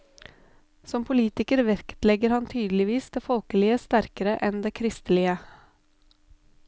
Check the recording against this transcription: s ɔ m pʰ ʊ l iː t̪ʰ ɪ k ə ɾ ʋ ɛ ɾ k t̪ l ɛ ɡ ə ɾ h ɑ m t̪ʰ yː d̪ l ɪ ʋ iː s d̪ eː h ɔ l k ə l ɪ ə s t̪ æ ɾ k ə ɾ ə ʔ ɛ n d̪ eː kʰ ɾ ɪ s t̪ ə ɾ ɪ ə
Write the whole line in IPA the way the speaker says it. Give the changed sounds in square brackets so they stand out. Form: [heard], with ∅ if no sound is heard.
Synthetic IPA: s ɔ m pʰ ʊ l iː [t̪] ɪ k ə ɾ ʋ ɛ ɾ k t̪ l ɛ ɡ ə ɾ h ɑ [n] t̪ʰ yː d̪ l ɪ ʋ iː s d̪ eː [f] ɔ l k ə l ɪ ə s t̪ æ ɾ k ə ɾ ə ʔ ɛ n d̪ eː kʰ ɾ ɪ s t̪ ə [l] ɪ ə